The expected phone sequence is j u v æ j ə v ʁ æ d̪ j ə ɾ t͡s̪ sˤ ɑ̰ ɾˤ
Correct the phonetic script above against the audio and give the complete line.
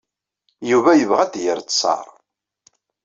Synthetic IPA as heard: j u v æ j ə v ʁ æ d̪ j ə ɾ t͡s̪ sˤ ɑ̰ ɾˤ